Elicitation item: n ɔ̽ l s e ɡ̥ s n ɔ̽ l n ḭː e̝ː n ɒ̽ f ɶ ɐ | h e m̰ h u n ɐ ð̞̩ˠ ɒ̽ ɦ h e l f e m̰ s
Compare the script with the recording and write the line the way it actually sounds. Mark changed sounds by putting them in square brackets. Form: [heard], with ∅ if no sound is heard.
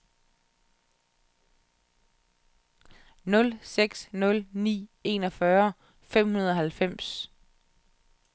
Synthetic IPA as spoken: n ɔ̽ l s e ɡ̥ s n ɔ̽ l n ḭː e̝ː n ɒ̽ f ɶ ɐ | [f] e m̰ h u n ɐ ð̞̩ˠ ɒ̽ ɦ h [æ] l f e m̰ s